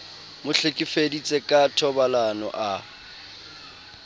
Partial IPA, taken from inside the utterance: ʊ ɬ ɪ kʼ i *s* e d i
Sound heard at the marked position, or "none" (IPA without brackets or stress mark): f